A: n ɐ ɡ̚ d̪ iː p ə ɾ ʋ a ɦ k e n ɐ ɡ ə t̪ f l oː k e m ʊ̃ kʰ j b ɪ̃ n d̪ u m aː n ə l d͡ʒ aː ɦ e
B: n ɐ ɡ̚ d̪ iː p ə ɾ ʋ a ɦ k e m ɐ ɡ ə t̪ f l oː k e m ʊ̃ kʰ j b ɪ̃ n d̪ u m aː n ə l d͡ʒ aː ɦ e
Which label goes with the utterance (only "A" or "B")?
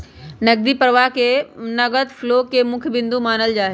A